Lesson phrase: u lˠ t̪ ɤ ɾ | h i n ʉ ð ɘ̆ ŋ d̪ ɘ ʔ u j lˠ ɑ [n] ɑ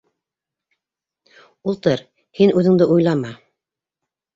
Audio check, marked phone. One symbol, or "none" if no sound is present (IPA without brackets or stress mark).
m